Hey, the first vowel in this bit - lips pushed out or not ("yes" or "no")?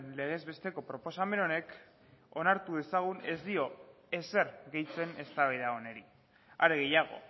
no